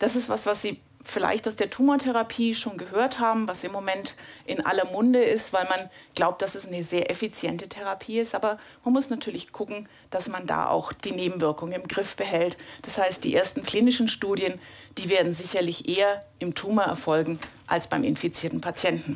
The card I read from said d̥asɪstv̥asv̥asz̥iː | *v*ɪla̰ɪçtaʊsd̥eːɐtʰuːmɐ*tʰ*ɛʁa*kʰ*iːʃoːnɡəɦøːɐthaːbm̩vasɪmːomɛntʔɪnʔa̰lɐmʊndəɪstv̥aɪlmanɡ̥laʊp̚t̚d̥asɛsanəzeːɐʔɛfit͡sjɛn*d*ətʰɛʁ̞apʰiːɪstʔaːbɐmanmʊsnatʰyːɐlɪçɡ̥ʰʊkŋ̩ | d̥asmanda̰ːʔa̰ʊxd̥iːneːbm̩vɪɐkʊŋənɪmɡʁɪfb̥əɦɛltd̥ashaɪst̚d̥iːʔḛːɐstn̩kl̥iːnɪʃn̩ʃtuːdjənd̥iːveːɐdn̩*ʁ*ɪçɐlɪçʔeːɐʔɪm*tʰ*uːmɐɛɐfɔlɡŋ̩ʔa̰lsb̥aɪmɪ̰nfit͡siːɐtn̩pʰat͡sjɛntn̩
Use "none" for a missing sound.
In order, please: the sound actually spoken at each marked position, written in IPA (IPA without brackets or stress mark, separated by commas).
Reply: f, tʰ, pʰ, t, z, tʰ